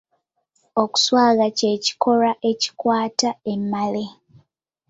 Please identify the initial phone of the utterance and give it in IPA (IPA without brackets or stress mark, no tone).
o̞